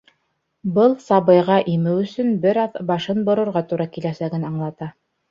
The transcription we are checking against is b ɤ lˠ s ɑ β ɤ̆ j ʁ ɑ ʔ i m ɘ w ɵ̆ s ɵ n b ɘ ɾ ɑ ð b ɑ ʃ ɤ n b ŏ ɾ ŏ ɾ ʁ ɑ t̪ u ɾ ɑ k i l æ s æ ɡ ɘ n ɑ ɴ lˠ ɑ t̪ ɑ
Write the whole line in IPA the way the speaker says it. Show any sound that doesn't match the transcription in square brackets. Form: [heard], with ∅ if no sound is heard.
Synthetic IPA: b ɤ lˠ s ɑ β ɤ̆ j ʁ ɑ ʔ i m ɘ w ɵ̆ s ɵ n b ɘ ɾ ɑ ð b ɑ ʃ ɤ n b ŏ ɾ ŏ ɾ ʁ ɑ t̪ u ɾ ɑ k i l æ s æ ɡ ɘ n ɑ ɴ lˠ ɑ t̪ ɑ